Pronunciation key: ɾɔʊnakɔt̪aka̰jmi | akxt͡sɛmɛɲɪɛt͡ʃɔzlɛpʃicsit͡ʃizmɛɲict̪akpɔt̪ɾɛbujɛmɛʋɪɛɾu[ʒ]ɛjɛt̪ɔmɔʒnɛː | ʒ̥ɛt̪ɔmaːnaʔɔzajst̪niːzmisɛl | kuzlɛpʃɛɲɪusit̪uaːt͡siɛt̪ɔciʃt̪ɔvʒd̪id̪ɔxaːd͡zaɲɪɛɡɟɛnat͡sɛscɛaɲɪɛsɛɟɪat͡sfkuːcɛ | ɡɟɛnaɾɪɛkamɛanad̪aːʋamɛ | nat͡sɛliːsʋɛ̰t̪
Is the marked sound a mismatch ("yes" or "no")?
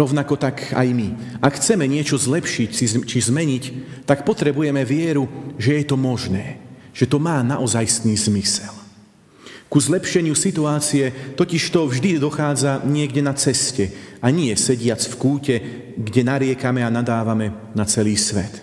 no